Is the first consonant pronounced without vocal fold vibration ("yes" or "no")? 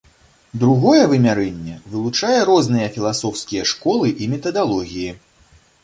no